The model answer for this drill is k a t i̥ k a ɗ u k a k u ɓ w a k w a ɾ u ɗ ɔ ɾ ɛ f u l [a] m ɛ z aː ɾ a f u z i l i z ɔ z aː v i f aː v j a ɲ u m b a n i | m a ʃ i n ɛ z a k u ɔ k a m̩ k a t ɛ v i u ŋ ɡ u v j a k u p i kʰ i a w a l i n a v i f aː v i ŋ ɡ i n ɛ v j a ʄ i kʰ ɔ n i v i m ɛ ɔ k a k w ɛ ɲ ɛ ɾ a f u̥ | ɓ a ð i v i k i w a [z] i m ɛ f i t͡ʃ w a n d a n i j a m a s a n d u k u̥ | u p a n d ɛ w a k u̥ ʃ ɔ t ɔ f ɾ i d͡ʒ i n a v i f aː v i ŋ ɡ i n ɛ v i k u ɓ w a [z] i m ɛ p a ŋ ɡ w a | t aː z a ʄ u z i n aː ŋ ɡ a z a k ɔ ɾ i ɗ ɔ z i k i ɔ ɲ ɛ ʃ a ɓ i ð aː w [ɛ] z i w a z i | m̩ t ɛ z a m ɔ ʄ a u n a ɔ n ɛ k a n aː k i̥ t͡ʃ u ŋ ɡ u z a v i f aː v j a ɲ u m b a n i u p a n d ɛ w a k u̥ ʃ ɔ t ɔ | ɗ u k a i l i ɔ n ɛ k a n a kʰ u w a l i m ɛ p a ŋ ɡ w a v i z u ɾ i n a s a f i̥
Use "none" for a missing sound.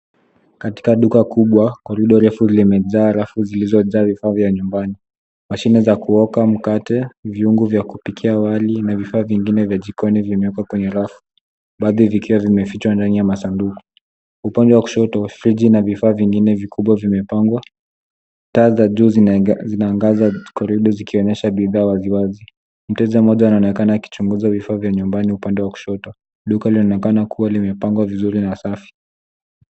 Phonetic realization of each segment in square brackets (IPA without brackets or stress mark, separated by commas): i, v, v, a